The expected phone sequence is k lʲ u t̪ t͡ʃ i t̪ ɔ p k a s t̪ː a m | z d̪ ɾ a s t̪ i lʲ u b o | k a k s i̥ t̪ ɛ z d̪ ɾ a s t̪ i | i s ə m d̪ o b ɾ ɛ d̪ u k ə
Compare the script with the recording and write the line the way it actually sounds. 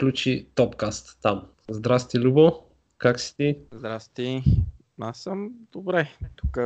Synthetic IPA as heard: k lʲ u t͡ʃ i t̪ ɔ p k a s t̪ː a m | z d̪ ɾ a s t̪ i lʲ u b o | k a k s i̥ t̪ i z d̪ ɾ a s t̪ i | a s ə m d̪ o b ɾ ɛ t̪ u k ə